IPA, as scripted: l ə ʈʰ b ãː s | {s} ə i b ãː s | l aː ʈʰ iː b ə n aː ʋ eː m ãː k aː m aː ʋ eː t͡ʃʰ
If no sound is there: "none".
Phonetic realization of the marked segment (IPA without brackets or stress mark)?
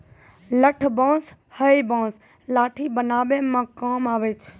h